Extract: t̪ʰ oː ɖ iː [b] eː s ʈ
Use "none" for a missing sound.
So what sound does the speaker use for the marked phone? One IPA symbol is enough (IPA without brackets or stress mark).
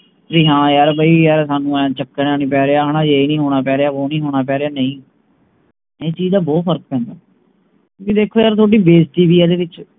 b